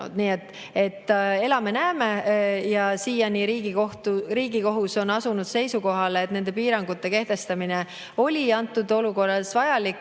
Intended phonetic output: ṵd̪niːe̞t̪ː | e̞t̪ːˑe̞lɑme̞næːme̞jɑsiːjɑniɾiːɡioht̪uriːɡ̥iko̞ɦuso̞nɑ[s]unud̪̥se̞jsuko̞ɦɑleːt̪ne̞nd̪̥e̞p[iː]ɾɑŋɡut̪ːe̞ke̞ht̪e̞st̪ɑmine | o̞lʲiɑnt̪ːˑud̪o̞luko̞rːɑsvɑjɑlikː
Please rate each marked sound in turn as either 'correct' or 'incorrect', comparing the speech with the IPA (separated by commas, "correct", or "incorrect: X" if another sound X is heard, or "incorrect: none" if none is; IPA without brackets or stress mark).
correct, correct